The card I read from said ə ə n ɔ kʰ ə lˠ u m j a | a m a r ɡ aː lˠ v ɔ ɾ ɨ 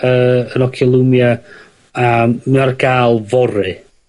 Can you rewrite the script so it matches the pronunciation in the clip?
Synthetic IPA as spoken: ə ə n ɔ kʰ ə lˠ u m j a | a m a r ɡ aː lˠ v ɔ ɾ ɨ